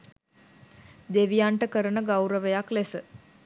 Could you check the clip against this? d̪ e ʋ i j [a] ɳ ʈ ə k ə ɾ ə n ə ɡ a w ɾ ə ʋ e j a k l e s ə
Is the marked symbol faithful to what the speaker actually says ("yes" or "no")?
yes